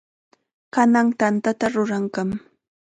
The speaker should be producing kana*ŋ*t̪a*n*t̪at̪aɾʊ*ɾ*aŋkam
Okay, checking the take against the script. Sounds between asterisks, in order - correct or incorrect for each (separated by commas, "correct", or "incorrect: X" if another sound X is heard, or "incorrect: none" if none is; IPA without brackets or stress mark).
correct, correct, correct